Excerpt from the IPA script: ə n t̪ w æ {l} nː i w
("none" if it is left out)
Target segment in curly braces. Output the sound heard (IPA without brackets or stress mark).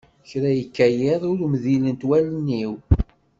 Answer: l